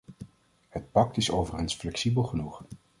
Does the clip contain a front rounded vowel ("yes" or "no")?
no